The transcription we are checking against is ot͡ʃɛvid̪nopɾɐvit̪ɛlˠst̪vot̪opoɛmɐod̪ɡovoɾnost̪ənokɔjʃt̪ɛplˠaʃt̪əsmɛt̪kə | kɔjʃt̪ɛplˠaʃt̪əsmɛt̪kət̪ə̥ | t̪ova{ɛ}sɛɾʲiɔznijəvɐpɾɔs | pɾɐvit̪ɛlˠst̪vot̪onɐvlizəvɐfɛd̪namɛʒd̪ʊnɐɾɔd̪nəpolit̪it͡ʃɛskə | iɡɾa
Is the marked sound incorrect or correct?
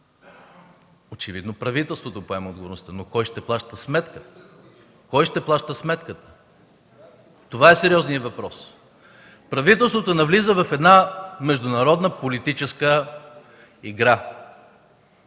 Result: correct